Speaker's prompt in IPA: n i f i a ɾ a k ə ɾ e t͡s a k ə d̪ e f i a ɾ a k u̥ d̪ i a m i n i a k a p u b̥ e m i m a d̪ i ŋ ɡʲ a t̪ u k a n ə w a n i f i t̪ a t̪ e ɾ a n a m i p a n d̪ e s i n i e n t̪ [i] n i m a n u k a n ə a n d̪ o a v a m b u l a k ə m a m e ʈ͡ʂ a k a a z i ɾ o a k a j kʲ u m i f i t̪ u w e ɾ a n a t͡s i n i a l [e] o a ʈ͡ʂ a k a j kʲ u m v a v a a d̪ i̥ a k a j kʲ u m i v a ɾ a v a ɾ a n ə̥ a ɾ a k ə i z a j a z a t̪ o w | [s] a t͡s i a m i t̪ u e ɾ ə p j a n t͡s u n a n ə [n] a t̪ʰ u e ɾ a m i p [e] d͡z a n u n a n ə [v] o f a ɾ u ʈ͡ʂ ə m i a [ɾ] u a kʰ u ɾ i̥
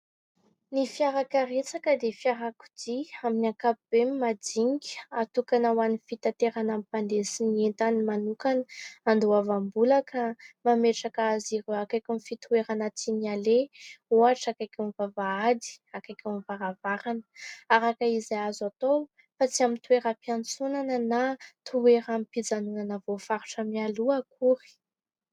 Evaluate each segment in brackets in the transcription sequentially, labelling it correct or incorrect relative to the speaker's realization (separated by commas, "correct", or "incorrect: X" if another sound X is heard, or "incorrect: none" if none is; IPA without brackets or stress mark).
incorrect: a, correct, incorrect: f, correct, incorrect: i, correct, incorrect: l